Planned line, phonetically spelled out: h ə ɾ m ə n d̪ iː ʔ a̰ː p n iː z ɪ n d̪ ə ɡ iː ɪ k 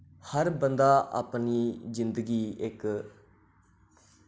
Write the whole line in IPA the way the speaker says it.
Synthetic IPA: h ə ɾ b ə n d̪ aː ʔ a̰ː p n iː z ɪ n d̪ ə ɡ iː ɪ k

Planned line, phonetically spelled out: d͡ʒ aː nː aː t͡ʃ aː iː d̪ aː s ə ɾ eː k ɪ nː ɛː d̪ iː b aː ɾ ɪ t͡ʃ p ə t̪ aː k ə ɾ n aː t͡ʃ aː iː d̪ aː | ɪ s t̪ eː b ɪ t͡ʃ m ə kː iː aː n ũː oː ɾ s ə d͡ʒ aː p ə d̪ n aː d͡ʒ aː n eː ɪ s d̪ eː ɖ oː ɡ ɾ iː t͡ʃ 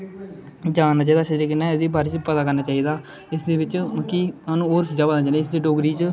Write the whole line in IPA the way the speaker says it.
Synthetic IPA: d͡ʒ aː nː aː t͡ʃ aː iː d̪ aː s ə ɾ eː k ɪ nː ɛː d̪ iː b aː ɾ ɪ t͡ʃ p ə t̪ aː k ə ɾ n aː t͡ʃ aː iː d̪ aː | ɪ s d̪ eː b ɪ t͡ʃ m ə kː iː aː n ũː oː ɾ s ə d͡ʒ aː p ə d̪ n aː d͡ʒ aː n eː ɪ s d̪ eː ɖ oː ɡ ɾ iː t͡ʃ

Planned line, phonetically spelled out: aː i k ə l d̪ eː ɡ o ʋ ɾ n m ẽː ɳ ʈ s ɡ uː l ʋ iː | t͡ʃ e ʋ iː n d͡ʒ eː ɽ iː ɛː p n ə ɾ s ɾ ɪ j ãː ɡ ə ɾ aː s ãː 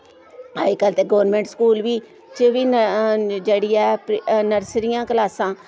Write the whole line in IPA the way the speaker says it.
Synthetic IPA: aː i k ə l t̪ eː ɡ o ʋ ɾ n m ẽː ɳ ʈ s k uː l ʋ iː | t͡ʃ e ʋ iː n d͡ʒ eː ɽ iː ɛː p n ə ɾ s ɾ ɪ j ãː k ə l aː s ãː

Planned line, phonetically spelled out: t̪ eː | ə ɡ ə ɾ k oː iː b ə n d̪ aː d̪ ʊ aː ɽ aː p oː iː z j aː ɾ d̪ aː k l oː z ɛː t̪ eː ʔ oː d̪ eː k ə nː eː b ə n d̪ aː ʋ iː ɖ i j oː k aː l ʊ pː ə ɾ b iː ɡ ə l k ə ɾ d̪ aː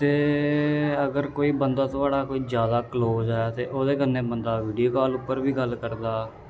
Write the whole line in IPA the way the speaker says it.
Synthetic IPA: t̪ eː | ə ɡ ə ɾ k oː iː b ə n d̪ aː t̪ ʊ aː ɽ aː k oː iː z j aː d̪ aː k l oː z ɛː t̪ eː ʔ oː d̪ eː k ə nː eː b ə n d̪ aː ʋ iː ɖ i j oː k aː l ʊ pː ə ɾ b iː ɡ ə l k ə ɾ d̪ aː

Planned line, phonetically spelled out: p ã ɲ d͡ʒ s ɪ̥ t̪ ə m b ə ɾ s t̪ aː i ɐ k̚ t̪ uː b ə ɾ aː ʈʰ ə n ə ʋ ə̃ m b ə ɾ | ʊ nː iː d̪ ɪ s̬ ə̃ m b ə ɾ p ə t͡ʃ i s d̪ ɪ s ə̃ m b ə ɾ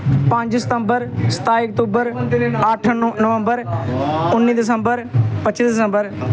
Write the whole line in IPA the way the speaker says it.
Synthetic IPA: p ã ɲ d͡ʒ s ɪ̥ t̪ ə m b ə ɾ s t̪ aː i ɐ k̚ t̪ uː b ə ɾ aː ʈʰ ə n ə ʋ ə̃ m b ə ɾ | ʊ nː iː d̪ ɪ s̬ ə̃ m b ə ɾ p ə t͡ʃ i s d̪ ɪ s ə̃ m b ə ɾ

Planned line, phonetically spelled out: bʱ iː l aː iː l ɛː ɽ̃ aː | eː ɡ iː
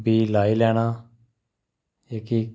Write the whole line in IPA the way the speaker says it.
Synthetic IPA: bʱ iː l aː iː l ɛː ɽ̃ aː | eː k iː

